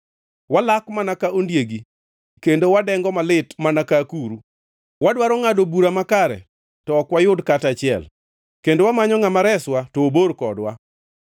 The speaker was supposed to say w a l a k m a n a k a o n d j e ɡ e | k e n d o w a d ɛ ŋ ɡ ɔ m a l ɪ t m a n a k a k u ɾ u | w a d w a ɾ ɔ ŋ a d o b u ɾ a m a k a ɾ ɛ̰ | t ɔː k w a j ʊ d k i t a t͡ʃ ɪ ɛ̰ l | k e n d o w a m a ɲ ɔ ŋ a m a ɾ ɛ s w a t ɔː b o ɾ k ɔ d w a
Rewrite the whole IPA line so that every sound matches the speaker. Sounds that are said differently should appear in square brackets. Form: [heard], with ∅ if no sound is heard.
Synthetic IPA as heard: w a l a k m a n a k a o n d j e ɡ [i] | k e n d o w a d ɛ ŋ ɡ ɔ m a l ɪ t m a n a k a k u ɾ u | w a d w a ɾ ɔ ŋ a d o b u ɾ a m a k a ɾ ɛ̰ | t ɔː k w a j ʊ d k [a] t a t͡ʃ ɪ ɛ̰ l | k e n d o w a m a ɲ ɔ ŋ a m a ɾ ɛ s w a t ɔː b o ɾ k ɔ d w a